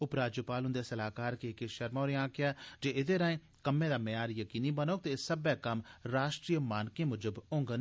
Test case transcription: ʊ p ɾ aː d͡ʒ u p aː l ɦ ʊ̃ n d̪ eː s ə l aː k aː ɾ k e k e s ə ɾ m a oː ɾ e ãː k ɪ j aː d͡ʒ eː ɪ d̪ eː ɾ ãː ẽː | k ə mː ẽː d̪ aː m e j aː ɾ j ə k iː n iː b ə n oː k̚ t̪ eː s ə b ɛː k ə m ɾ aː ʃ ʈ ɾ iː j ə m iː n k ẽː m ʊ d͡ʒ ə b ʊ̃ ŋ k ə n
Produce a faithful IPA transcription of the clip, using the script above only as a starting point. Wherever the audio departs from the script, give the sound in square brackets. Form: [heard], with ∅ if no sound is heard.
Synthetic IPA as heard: ʊ p ɾ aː d͡ʒ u p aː l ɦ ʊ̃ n d̪ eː s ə l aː k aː ɾ k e k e [ʃ] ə ɾ m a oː ɾ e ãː k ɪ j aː d͡ʒ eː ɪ d̪ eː ɾ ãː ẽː | k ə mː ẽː d̪ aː m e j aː ɾ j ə k iː n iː b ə n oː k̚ t̪ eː s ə b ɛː k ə m ɾ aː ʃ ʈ ɾ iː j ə m [aː] n k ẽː m ʊ d͡ʒ ə b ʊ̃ ŋ [ɡ] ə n

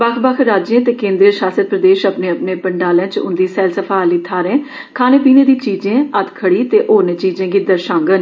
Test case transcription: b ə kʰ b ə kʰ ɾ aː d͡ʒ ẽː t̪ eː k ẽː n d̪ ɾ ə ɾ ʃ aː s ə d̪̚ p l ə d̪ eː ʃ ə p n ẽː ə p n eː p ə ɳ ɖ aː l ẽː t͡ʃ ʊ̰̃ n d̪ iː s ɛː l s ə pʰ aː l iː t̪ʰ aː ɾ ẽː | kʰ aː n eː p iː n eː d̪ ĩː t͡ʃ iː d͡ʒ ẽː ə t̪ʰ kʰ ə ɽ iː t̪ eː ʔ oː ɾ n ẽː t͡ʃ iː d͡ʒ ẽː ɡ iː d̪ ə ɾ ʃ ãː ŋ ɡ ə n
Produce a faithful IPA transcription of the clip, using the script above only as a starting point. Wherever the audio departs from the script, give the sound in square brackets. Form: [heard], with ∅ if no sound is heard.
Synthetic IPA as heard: b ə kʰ b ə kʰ ɾ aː d͡ʒ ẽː t̪ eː k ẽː n d̪ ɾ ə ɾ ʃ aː s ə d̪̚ p [ɾ] ə d̪ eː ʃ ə p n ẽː ə p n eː p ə ɳ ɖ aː l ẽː t͡ʃ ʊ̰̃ n d̪ iː s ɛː l s ə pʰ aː l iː t̪ʰ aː ɾ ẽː | kʰ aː n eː p iː n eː d̪ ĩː t͡ʃ iː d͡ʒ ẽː ə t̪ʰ kʰ ə ɽ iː t̪ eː ʔ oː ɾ n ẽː t͡ʃ iː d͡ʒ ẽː ɡ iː d̪ ə ɾ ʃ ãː ŋ ɡ ə n

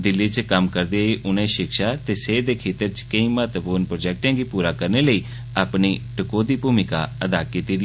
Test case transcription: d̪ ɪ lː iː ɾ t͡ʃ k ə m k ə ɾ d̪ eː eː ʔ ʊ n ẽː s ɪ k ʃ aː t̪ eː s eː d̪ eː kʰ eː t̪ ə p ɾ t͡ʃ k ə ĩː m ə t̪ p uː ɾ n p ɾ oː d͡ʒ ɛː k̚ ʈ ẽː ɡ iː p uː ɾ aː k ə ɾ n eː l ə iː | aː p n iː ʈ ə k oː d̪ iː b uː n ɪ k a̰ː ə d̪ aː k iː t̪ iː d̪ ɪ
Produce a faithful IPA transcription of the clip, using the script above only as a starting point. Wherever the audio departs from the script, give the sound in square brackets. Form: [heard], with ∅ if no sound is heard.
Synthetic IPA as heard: d̪ ɪ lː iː [∅] t͡ʃ k ə m k ə ɾ d̪ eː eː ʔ ʊ n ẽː [ʃ] ɪ k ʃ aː t̪ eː s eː d̪ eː kʰ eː t̪ ə [∅] ɾ t͡ʃ k ə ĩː m ə t̪ p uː ɾ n p ɾ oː d͡ʒ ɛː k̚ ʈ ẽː ɡ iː p uː ɾ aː k ə ɾ n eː l ə iː | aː p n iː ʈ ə k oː d̪ iː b uː [m] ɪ k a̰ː ə d̪ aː k iː t̪ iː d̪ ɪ

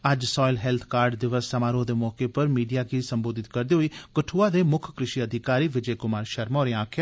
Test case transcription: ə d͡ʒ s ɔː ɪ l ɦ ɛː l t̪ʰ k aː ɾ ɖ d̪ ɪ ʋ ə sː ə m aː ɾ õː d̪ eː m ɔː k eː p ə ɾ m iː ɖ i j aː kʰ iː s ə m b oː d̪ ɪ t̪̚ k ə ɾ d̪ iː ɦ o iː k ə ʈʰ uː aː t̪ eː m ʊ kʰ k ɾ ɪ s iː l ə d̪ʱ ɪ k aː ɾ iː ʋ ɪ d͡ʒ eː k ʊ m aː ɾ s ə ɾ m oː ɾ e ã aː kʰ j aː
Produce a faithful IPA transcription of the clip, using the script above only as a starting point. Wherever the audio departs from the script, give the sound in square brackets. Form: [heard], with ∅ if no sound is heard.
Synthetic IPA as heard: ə d͡ʒ s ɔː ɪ l ɦ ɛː l t̪ʰ k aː ɾ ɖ d̪ ɪ ʋ ə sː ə m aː ɾ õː d̪ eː m ɔː k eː p ə ɾ m iː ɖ i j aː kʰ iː s ə m b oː d̪ ɪ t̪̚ k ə ɾ d̪ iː ɦ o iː k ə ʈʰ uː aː [d̪] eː m ʊ kʰ k ɾ ɪ [ʃ] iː [∅] ə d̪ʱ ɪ k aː ɾ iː ʋ ɪ d͡ʒ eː k ʊ m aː ɾ [ʃ] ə ɾ m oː ɾ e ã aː kʰ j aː

